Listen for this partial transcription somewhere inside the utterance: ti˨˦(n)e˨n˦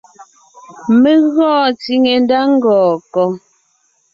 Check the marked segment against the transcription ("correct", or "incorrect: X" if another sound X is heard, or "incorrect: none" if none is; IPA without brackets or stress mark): incorrect: ŋ